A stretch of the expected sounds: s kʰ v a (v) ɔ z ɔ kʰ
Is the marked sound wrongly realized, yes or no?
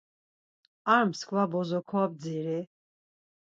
yes